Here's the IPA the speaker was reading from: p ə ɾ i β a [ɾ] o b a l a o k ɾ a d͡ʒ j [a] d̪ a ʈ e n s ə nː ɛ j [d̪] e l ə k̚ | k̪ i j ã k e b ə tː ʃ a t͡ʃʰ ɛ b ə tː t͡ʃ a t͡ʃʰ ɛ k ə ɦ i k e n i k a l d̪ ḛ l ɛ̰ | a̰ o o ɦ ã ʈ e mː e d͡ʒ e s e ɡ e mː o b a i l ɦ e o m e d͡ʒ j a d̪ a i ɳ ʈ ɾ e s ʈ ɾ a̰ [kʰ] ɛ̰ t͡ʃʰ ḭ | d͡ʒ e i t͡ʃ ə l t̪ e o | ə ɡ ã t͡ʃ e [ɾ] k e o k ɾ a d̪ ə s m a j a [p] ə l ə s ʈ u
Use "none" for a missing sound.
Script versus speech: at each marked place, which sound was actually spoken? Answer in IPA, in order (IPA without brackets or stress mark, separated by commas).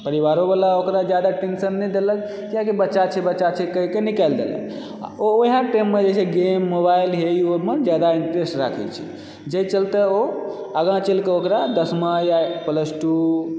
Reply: ɾ, a, d̪, kʰ, l, p